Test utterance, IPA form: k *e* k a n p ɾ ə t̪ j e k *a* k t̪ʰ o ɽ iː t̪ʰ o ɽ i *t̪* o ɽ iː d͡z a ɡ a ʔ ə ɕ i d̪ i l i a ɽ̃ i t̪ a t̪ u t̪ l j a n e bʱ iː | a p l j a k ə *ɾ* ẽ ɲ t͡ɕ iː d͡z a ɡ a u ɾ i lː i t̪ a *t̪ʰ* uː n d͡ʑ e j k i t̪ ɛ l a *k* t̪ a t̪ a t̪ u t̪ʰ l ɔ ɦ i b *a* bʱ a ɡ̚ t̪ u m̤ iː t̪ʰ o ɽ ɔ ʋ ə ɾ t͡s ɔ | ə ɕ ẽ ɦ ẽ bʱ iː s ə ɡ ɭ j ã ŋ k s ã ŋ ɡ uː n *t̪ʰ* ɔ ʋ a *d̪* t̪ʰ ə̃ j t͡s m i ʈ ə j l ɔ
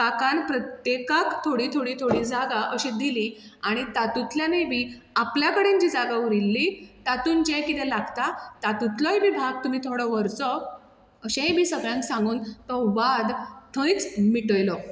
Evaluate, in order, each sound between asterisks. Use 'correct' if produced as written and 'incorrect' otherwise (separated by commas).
incorrect, correct, incorrect, incorrect, incorrect, incorrect, incorrect, incorrect, correct